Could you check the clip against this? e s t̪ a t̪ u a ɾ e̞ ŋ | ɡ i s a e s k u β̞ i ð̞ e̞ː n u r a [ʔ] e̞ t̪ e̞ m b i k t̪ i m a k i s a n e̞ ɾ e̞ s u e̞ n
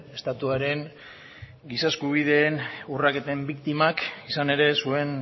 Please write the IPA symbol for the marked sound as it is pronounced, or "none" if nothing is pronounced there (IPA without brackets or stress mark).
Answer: k